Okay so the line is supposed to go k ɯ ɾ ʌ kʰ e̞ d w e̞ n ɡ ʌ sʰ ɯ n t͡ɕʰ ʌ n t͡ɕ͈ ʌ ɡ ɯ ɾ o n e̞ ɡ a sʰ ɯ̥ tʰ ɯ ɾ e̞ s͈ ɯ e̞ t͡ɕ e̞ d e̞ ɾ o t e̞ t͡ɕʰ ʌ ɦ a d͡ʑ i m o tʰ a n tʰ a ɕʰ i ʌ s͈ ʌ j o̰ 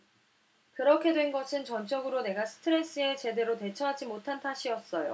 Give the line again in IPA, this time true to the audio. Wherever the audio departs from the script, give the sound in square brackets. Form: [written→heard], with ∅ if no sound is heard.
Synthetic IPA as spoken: k ɯ ɾ ʌ kʰ e̞ d w e̞ n ɡ ʌ sʰ ɯ n [t͡ɕʰ→t͡ɕ] ʌ n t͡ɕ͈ ʌ ɡ ɯ ɾ o n e̞ ɡ a sʰ ɯ̥ tʰ ɯ ɾ e̞ s͈ ɯ e̞ t͡ɕ e̞ d e̞ ɾ o t e̞ t͡ɕʰ ʌ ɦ a d͡ʑ i m o tʰ a n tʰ a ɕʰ i ʌ s͈ ʌ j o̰